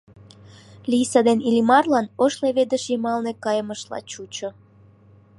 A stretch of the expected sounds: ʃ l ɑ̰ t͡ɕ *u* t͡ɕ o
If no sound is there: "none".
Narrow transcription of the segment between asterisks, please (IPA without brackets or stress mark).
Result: u